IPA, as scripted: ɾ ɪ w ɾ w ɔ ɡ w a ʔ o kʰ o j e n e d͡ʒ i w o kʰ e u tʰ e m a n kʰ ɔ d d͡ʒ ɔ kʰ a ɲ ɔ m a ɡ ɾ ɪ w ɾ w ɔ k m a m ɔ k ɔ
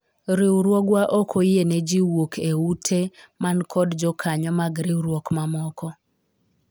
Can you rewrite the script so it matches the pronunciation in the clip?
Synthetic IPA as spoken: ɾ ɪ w ɾ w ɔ ɡ w a ʔ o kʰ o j e n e d͡ʒ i w o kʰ e u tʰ e m a n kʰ ɔ d d͡ʒ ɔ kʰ a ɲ ɔ m a ɡ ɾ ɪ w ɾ w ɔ k m a m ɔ k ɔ

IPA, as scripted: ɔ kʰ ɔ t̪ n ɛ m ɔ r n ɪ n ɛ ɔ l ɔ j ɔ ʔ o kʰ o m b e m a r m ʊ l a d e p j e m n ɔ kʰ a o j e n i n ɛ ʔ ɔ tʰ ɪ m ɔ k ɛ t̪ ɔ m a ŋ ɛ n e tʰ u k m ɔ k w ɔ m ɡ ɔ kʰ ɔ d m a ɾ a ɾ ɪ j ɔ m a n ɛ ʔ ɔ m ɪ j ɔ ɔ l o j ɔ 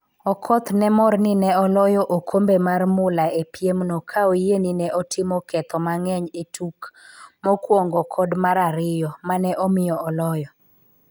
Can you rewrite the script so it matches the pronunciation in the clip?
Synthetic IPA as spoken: ɔ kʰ ɔ t̪ n ɛ m ɔ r n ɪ n ɛ ɔ l ɔ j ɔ ʔ o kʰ o m b e m a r m ʊ l a e p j e m n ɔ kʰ a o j e n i n ɛ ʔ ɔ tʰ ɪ m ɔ k ɛ t̪ ɔ m a ŋ ɛ ɲ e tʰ u k m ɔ k w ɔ ŋ ɡ ɔ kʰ ɔ d m a ɾ a ɾ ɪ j ɔ m a n ɛ ʔ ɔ m ɪ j ɔ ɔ l ɔ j ɔ

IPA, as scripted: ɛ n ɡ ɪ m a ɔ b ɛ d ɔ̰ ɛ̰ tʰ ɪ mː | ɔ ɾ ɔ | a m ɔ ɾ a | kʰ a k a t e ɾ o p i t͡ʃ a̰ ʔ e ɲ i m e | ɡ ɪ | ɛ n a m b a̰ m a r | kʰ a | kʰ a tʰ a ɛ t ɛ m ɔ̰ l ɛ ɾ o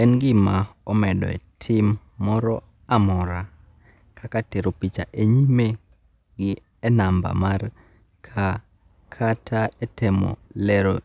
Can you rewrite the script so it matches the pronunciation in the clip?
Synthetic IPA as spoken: ɛ n ɡ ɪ m a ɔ m ɛ d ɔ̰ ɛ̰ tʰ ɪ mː | ɔ ɾ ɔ | a m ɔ ɾ a | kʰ a k a t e ɾ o p i t͡ʃ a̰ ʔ e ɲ i m e | ɡ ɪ | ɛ n a m b a̰ m a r | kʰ a | kʰ a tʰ a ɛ t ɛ m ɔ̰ l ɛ ɾ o

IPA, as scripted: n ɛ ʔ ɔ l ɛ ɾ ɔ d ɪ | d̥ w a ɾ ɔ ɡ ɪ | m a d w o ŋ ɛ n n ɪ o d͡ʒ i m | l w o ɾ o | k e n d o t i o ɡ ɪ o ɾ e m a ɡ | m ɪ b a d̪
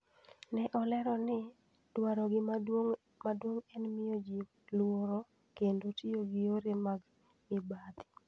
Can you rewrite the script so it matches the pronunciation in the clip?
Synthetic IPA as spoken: n ɛ ʔ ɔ l ɛ ɾ ɔ n ɪ | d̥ w a ɾ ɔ ɡ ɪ | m a d w o ŋ ɛ n m ɪ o d͡ʒ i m | l w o ɾ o | k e n d o t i o ɡ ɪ o ɾ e m a ɡ | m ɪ b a d̪

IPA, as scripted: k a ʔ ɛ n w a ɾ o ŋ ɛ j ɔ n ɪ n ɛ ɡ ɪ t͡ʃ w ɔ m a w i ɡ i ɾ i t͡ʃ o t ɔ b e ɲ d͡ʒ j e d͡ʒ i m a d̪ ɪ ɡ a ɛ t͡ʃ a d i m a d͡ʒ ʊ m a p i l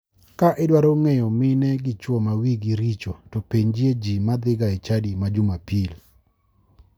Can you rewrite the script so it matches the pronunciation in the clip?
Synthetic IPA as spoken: k a ʔ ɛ d w a ɾ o ŋ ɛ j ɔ m ɪ n ɛ ɡ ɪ t͡ʃ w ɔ m a w i ɡ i ɾ i t͡ʃ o t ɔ p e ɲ d͡ʒ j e d͡ʒ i m a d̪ ɪ ɡ a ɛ t͡ʃ a d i m a d͡ʒ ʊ m a p i l

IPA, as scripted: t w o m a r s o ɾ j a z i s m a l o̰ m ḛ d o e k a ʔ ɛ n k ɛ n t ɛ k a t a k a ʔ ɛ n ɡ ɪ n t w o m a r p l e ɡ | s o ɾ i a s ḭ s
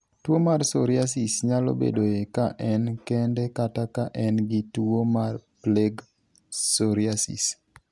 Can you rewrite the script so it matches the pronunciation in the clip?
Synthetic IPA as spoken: t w o m a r s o ɾ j a s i s ɲ a l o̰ b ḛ d o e k a ʔ ɛ n k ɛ n d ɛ k a t a k a ʔ ɛ n ɡ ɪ t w o m a r p l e ɡ | s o ɾ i a s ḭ s

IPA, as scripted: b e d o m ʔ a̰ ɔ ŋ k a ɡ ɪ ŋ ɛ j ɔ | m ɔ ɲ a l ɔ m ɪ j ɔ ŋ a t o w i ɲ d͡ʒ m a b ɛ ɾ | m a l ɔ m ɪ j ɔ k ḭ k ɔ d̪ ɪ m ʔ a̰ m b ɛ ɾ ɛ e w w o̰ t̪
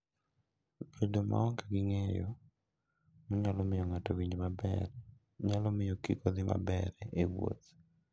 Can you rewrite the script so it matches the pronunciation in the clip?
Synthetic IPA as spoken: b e d o m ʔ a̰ ɔ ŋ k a ɡ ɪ ŋ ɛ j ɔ | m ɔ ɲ a l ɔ m ɪ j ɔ ŋ a t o w i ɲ d͡ʒ m a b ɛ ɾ | ɲ a l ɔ m ɪ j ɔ k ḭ k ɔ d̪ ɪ m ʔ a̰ b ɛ ɾ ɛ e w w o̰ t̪

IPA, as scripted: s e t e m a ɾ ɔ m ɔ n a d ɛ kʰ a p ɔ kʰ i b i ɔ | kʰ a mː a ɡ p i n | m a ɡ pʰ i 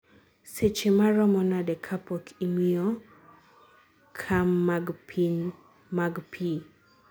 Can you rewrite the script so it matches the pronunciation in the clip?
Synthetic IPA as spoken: s e t͡ʃ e m a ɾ ɔ m ɔ n a d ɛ kʰ a p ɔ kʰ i m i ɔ | kʰ a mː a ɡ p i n | m a ɡ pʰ i

